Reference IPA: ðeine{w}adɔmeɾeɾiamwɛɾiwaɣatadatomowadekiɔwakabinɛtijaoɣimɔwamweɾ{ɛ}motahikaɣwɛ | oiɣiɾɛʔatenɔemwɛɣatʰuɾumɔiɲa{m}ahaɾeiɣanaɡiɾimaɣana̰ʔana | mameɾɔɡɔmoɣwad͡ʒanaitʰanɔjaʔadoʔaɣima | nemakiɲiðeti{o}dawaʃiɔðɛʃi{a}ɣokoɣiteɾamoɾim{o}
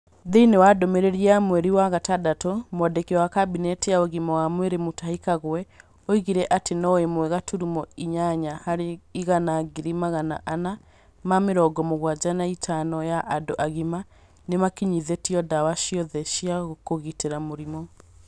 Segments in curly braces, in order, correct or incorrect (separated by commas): correct, incorrect, incorrect, incorrect, correct, incorrect